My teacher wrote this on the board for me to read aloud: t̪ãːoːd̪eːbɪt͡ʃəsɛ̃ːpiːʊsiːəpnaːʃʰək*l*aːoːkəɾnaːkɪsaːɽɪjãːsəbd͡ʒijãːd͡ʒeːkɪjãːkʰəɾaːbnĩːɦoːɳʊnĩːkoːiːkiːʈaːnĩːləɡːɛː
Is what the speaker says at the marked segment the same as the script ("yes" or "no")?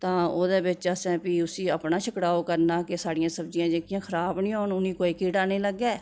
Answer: no